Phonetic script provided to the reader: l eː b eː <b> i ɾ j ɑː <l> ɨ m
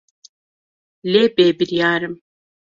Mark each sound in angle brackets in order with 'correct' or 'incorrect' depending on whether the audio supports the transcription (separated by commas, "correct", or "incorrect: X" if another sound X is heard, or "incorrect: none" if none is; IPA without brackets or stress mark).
correct, incorrect: ɾ